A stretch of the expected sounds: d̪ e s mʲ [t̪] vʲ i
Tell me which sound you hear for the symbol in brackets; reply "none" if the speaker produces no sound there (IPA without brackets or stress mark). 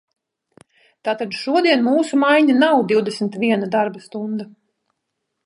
t̪